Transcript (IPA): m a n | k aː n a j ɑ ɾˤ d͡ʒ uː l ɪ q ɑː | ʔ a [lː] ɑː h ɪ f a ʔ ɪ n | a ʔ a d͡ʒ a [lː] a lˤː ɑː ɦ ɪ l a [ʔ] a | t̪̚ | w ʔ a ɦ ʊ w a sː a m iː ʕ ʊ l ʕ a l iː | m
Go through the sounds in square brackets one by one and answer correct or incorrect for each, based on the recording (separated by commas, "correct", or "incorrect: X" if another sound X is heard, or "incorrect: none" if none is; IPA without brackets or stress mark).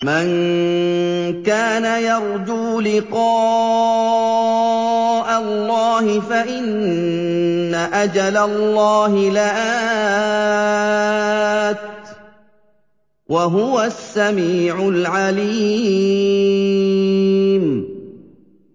correct, incorrect: l, correct